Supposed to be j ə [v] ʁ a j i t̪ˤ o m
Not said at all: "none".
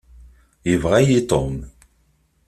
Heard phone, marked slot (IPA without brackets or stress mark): v